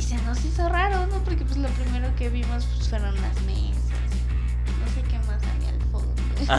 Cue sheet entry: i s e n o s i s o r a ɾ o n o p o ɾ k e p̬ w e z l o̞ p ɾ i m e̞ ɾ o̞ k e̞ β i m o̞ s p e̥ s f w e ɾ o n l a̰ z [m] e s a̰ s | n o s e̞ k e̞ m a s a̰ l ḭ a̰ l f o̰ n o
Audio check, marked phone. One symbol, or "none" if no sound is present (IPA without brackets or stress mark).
m